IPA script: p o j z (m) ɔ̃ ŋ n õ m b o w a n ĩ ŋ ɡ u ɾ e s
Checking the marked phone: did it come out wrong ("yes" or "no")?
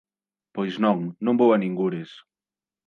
yes